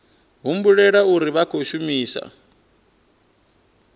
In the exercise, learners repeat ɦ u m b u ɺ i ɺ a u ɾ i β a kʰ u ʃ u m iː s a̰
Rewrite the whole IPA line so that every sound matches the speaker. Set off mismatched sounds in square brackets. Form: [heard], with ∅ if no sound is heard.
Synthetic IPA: ɦ u m b u ɺ [ɛ] ɺ a u ɾ i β a kʰ [o] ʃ u m iː s a̰